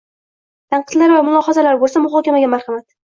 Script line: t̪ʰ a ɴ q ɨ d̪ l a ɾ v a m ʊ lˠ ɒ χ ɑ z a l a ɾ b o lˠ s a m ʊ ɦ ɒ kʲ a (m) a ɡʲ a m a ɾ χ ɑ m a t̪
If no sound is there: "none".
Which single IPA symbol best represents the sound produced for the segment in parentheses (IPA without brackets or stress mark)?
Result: m